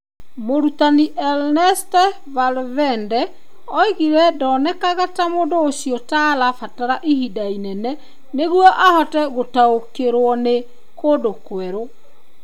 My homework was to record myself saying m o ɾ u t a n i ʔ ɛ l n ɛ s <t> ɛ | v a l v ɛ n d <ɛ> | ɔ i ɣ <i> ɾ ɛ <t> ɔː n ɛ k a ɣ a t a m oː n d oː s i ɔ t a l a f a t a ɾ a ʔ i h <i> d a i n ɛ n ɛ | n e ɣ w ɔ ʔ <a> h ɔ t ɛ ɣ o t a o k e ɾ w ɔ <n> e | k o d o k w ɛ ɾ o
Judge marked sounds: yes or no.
yes, yes, yes, no, yes, yes, yes

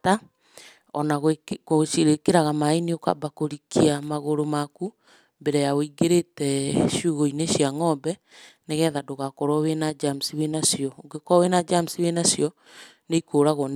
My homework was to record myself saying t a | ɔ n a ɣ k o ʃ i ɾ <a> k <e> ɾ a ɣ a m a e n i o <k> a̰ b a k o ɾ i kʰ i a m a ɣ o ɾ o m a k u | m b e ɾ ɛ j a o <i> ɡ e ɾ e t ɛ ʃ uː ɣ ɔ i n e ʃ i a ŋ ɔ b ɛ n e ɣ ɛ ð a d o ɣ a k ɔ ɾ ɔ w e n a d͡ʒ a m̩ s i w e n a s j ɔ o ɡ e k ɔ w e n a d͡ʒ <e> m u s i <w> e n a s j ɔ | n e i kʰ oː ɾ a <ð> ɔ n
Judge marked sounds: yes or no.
no, yes, yes, yes, no, yes, no

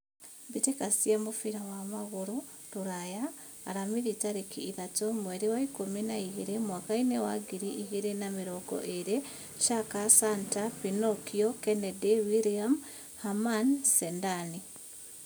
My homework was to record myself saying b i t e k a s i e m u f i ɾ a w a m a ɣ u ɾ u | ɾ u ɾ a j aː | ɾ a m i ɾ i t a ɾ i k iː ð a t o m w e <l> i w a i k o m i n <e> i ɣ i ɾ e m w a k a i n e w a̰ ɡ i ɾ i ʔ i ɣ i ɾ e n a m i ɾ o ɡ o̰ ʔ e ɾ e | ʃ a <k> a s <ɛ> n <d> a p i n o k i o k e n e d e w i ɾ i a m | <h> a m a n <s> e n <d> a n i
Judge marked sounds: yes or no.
no, no, yes, no, no, yes, yes, yes

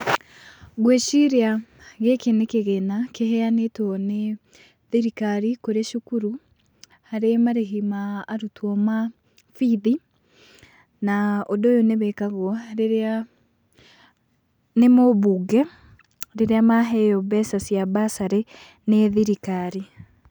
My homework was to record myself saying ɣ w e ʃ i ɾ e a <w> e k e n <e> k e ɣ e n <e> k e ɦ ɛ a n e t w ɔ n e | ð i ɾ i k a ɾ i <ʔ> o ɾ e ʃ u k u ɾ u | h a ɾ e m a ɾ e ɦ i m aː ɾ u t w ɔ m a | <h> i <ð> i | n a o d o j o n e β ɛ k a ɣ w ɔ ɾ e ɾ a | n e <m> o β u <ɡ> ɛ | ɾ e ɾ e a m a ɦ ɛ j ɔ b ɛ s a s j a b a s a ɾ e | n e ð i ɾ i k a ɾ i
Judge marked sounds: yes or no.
no, yes, no, no, no, yes, yes, yes

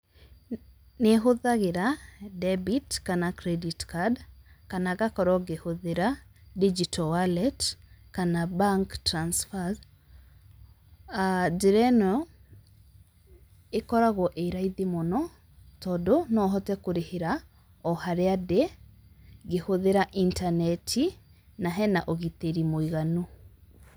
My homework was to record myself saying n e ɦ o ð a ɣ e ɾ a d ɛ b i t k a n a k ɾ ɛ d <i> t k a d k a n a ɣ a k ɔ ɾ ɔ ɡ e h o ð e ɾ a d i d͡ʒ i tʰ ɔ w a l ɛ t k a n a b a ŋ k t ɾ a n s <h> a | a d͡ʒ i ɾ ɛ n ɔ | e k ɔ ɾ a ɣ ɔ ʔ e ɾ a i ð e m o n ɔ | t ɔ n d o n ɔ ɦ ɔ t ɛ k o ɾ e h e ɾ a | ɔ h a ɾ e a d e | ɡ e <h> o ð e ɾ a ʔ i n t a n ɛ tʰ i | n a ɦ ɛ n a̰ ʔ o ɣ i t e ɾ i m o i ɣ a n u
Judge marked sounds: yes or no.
yes, no, yes

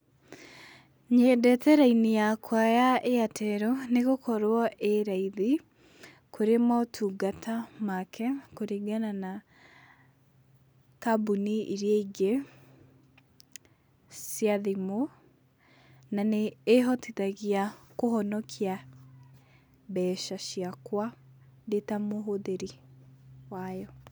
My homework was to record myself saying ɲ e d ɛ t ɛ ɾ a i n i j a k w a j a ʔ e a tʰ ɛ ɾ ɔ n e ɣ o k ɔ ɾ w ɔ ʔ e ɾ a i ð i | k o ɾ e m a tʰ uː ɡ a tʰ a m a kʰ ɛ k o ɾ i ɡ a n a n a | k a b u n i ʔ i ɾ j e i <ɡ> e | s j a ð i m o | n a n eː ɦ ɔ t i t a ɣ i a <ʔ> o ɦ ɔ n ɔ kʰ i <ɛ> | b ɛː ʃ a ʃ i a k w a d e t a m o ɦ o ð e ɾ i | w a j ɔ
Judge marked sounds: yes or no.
yes, no, no

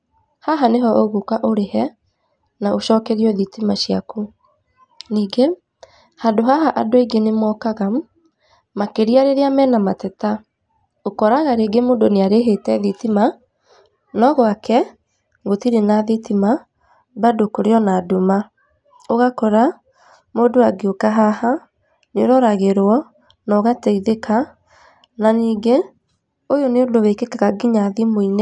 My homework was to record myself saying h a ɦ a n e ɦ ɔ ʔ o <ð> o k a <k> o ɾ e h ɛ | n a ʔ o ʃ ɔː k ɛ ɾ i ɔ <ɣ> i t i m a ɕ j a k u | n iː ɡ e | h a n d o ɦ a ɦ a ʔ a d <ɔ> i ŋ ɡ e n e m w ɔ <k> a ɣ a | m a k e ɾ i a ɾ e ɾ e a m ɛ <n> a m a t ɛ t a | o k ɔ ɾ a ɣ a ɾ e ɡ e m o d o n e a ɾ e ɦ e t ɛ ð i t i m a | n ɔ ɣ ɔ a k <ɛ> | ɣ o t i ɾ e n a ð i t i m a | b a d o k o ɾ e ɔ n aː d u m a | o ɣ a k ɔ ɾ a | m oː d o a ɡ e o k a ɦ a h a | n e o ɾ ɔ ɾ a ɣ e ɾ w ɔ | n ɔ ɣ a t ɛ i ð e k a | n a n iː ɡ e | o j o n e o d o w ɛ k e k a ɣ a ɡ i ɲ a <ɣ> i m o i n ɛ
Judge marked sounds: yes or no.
no, no, no, no, yes, yes, yes, no

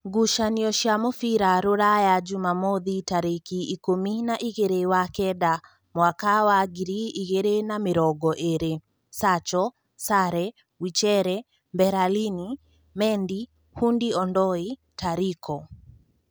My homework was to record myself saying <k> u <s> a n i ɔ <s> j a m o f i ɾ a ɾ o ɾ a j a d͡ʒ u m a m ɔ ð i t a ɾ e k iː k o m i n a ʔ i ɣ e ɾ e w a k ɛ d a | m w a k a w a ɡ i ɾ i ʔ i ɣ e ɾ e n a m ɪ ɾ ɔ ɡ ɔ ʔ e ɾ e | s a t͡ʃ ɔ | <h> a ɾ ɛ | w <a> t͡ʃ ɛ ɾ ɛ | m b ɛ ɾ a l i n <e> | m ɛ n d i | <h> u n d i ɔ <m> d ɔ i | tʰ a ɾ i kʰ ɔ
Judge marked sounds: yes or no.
no, no, no, no, no, no, yes, no

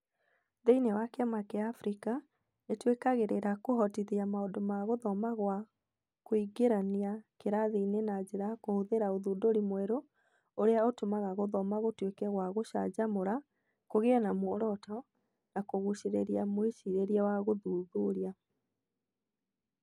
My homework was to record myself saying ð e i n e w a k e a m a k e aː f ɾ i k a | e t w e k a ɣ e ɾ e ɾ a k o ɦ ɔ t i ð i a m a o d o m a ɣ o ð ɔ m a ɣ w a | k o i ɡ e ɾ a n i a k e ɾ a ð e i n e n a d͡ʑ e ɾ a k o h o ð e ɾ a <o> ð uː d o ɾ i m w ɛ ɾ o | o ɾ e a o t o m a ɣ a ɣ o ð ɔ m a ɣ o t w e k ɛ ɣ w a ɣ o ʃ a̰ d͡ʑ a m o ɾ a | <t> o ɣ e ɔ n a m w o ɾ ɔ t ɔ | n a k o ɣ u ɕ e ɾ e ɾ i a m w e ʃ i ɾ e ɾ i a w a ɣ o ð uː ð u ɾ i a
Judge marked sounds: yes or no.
yes, no

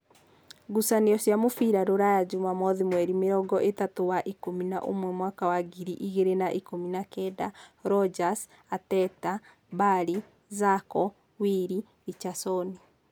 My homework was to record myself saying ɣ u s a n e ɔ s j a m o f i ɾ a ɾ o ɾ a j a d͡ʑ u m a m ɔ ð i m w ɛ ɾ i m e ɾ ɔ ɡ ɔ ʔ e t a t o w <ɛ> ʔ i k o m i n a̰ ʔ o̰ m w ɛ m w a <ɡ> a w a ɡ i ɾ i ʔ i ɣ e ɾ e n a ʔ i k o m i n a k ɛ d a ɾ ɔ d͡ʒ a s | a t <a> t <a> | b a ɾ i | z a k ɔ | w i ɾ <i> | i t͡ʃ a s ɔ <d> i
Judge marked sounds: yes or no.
no, no, no, yes, yes, no

